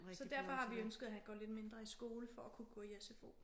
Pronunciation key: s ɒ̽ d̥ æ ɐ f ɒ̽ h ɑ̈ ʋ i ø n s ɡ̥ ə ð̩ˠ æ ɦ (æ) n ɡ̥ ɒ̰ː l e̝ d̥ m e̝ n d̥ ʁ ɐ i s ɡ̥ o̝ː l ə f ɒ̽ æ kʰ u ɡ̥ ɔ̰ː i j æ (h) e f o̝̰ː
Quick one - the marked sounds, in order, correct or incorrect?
correct, incorrect: s

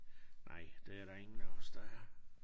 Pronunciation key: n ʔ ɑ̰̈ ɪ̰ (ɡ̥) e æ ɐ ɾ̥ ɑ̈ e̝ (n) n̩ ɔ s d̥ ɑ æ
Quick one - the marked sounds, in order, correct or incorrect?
incorrect: d̥, incorrect: ŋ

